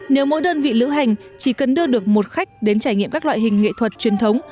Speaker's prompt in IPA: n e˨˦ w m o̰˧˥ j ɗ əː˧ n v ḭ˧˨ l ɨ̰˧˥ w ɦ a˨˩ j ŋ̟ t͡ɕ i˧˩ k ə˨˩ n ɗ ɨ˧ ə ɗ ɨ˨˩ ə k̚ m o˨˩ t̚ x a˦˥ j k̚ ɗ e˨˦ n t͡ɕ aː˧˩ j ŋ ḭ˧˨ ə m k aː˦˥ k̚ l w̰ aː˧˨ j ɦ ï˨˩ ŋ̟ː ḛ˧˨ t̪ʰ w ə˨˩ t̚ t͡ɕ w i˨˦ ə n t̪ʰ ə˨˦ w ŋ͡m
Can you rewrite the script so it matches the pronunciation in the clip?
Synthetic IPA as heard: n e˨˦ w m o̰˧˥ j ɗ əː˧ n v ḭ˧˨ l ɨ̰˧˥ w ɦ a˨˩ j ŋ̟ t͡ɕ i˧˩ k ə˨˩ n ɗ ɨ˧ ə ɗ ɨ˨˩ ə k̚ m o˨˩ t̚ x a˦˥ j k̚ ɗ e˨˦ n t͡ɕ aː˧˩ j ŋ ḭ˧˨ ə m k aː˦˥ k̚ l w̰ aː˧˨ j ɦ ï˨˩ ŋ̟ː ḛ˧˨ t̪ʰ w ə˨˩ t̚ t͡ɕ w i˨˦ ə n t̪ʰ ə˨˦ w ŋ͡m